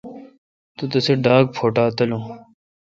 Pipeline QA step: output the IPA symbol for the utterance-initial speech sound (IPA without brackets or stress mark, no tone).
t̪